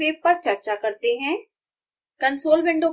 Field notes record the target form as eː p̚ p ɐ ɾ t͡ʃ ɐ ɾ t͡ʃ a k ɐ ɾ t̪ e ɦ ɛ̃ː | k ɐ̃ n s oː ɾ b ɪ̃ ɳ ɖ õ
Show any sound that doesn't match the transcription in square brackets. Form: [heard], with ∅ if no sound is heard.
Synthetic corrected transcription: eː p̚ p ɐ ɾ t͡ʃ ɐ ɾ t͡ʃ a k ɐ ɾ t̪ e ɦ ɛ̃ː | k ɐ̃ n s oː [l] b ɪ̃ ɳ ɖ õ